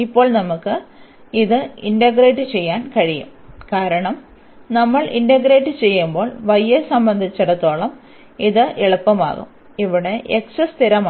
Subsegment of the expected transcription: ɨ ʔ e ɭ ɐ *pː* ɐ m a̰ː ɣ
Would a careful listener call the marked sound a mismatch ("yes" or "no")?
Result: no